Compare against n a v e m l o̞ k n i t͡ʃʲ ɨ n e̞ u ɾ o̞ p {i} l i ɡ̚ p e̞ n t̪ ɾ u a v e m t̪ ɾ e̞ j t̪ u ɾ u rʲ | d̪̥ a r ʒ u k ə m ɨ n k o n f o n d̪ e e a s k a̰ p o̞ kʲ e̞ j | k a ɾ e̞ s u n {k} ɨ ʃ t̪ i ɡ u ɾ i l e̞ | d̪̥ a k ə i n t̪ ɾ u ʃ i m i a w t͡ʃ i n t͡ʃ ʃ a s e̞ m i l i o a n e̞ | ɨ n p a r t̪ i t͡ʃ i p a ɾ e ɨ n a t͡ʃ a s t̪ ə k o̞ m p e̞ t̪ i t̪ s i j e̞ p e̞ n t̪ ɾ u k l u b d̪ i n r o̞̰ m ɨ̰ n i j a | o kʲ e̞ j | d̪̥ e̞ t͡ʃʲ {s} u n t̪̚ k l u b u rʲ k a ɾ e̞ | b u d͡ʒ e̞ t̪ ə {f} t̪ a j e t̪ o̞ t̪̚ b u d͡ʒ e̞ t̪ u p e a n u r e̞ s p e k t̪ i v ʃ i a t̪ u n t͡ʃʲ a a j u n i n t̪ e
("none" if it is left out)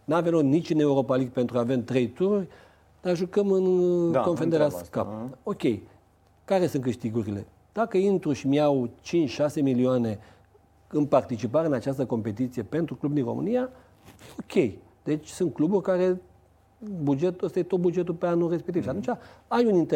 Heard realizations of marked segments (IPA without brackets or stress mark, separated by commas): a, k, s, s